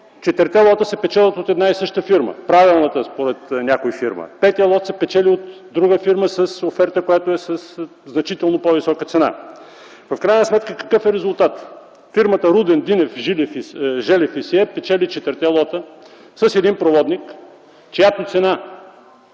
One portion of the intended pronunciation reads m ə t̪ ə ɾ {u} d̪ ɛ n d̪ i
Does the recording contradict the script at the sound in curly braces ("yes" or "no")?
no